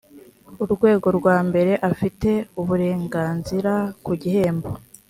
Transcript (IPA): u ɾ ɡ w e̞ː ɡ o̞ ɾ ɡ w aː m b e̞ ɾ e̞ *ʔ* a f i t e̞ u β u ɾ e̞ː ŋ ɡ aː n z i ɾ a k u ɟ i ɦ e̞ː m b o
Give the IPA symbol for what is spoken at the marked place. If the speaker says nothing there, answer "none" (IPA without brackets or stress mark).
ʔ